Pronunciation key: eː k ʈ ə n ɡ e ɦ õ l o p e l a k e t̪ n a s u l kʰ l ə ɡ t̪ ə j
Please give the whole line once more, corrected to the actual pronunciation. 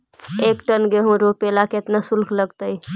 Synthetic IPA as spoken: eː k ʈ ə n ɡ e ɦ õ ɾ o p e l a k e t̪ n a s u l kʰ l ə ɡ t̪ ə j